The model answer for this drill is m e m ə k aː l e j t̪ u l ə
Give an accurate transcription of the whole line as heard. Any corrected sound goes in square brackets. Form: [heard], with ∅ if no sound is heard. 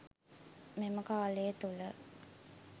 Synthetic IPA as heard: m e m ə k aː l e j t̪ u l ə